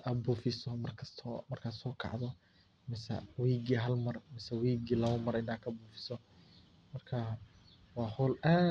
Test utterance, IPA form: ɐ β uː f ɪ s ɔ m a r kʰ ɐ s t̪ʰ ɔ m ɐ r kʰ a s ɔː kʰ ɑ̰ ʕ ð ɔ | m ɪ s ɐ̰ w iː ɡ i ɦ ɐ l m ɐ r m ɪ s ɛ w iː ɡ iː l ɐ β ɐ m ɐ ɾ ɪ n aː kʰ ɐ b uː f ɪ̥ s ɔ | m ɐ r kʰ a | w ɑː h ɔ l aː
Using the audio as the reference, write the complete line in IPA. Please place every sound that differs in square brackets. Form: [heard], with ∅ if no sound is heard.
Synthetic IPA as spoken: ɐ [b] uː f ɪ s ɔ m [ɐ] r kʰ ɐ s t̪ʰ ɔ m ɐ r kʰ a s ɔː kʰ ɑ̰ ʕ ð ɔ | m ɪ s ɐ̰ w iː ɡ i ɦ ɐ l m ɐ r m ɪ s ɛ w iː ɡ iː l ɐ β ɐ m ɐ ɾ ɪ n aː kʰ ɐ b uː f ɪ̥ s ɔ | m ɐ r kʰ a | w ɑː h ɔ l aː